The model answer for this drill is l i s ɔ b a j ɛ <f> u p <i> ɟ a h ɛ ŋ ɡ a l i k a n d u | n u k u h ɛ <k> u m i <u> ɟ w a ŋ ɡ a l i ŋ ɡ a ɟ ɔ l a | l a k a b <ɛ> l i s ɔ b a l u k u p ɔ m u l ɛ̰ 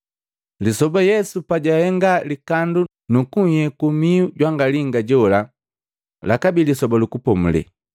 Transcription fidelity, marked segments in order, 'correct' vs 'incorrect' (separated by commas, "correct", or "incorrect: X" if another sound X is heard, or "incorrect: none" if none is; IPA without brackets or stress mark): incorrect: s, incorrect: a, correct, correct, incorrect: i